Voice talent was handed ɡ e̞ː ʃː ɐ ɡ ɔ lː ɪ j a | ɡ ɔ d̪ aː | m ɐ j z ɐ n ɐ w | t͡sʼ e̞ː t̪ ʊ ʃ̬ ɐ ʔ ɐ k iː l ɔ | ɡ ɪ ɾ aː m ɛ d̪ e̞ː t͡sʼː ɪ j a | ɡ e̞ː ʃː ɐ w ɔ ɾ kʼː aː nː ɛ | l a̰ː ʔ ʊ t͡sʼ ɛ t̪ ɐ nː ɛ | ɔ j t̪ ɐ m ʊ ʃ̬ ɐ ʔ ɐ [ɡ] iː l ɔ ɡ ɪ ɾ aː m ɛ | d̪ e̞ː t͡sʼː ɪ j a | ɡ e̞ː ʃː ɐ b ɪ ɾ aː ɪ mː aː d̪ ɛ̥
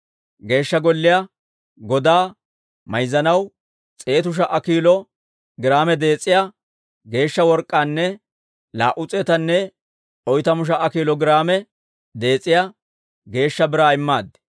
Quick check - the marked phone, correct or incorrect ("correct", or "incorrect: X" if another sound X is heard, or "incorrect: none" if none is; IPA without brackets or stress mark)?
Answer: incorrect: k